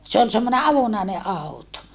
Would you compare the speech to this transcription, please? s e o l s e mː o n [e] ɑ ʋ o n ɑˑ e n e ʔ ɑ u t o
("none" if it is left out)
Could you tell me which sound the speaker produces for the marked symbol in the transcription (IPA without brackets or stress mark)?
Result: e